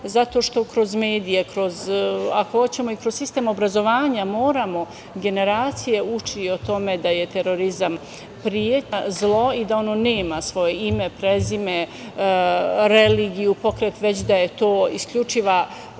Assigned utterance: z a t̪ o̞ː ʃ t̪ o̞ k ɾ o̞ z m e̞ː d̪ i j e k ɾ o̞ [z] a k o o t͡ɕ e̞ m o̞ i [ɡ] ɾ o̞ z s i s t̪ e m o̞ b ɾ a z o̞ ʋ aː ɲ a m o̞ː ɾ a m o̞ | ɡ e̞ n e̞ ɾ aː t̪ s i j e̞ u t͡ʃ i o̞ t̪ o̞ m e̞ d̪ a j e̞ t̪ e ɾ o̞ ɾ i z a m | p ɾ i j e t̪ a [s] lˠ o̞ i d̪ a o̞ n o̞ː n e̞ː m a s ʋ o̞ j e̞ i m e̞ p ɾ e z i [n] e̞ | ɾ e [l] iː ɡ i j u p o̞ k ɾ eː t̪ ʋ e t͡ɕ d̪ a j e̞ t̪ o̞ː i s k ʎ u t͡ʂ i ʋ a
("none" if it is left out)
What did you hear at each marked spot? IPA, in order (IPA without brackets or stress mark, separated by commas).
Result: z, k, z, m, l